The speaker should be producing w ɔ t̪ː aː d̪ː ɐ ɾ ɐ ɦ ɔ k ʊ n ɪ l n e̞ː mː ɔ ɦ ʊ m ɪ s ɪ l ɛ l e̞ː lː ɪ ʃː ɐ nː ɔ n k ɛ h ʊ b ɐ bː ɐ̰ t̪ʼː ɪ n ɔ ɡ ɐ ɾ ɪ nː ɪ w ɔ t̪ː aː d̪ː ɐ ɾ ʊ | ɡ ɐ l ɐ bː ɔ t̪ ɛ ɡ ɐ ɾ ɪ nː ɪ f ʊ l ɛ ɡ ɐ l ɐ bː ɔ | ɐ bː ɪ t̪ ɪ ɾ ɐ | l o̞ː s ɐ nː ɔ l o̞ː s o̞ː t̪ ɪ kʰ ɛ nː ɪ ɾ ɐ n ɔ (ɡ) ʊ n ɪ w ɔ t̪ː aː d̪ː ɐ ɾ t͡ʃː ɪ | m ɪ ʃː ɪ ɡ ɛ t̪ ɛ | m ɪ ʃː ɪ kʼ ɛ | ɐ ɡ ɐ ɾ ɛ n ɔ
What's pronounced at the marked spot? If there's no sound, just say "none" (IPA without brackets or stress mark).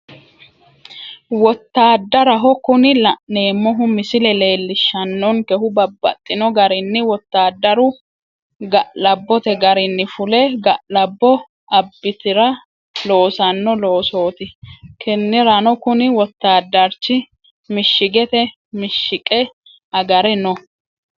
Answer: k